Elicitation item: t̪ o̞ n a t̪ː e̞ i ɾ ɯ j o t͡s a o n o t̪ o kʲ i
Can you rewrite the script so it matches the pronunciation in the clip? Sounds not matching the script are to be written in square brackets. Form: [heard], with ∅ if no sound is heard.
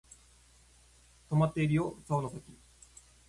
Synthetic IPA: t̪ o̞ [m] a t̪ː e̞ i ɾ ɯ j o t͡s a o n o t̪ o kʲ i